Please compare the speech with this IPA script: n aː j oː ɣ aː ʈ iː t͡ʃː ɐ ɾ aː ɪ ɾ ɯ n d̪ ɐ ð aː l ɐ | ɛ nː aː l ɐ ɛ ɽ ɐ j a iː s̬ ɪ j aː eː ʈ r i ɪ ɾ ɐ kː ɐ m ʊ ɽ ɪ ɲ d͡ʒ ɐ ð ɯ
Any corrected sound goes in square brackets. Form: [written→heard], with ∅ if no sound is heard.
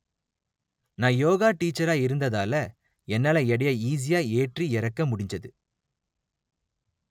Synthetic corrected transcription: n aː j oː ɣ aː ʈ iː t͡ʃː ɐ ɾ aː ɪ ɾ ɯ n d̪ ɐ ð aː l ɐ | ɛ nː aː l ɐ ɛ ɽ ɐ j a iː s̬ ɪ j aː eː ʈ r i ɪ ɾ ɐ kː ɐ m ʊ ɽ ɪ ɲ d͡ʒ ɐ ð ɯ

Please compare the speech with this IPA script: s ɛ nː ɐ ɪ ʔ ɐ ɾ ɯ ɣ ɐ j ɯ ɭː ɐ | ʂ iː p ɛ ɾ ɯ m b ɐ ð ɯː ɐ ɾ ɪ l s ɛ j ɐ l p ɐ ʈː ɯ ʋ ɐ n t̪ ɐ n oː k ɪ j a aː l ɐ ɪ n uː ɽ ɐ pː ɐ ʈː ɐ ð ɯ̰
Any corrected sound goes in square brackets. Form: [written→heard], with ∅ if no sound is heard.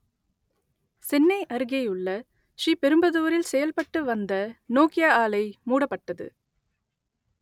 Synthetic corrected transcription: s ɛ nː ɐ ɪ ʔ ɐ ɾ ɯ ɣ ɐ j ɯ ɭː ɐ | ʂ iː p ɛ ɾ ɯ m b ɐ ð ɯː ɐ ɾ ɪ l s ɛ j ɐ l p ɐ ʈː ɯ ʋ ɐ n [t̪→d̪] ɐ n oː k ɪ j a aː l ɐ ɪ [n→m] uː ɽ ɐ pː ɐ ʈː ɐ ð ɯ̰

